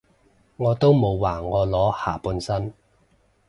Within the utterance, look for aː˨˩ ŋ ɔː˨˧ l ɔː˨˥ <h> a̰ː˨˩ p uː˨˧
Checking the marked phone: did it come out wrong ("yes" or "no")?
no